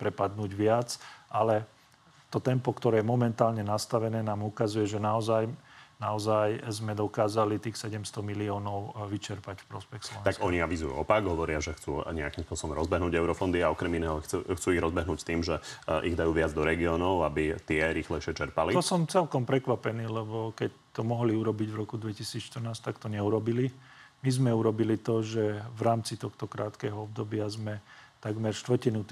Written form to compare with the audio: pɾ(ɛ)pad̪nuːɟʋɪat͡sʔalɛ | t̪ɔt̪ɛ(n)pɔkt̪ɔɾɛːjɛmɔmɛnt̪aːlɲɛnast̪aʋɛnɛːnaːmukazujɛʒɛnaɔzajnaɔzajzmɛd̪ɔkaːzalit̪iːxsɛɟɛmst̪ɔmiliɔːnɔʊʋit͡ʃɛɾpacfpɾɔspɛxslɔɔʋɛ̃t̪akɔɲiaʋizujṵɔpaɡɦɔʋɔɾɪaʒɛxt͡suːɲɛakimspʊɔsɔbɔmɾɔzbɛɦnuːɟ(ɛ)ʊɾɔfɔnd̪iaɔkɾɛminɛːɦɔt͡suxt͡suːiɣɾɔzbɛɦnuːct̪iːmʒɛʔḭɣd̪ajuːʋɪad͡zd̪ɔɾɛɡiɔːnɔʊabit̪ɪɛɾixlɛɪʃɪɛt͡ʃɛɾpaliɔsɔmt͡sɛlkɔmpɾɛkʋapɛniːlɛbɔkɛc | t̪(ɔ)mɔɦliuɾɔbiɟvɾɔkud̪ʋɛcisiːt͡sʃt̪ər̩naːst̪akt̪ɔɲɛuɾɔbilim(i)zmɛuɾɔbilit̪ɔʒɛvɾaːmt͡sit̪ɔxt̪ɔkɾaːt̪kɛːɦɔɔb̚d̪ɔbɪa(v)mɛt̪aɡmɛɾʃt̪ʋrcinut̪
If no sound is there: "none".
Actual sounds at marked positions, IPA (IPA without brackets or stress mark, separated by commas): ɛ, m, ɛ, ɔ, i, z